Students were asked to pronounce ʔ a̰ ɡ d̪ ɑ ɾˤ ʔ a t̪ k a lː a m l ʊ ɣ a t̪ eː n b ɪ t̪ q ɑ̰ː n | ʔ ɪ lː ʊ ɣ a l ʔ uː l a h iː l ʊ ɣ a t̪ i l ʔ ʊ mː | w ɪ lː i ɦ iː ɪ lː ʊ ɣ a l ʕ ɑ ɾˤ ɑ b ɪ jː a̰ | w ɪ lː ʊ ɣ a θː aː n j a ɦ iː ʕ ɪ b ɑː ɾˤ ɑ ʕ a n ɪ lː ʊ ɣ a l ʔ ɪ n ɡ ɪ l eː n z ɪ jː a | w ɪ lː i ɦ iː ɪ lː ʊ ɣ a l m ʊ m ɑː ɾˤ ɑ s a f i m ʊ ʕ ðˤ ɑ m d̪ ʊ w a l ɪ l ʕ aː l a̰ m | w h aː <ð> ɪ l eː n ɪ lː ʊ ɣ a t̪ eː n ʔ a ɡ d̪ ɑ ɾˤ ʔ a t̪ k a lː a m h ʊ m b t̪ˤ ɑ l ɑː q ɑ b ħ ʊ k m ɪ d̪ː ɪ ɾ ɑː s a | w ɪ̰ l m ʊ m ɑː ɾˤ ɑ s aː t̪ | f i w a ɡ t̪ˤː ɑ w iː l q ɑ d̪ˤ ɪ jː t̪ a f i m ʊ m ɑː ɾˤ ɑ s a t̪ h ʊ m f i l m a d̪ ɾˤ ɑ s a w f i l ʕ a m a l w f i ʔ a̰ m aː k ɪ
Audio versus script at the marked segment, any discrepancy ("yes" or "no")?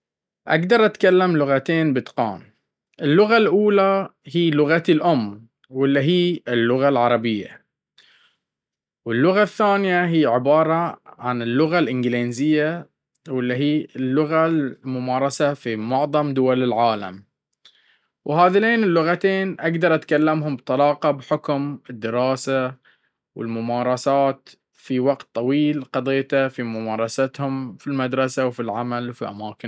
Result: no